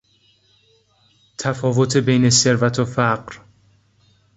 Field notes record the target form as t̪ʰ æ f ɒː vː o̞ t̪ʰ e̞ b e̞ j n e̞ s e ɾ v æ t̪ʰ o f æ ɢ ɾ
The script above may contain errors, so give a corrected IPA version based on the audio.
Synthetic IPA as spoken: t̪ʰ æ f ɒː v o̞ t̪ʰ e̞ b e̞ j n e̞ s e ɾ v æ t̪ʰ o f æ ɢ ɾ